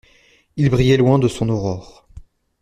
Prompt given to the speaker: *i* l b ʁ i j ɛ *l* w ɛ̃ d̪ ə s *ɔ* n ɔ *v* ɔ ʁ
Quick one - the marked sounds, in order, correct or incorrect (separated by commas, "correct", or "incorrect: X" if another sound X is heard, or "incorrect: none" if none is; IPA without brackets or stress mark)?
correct, correct, incorrect: ɔ̃, incorrect: ʁ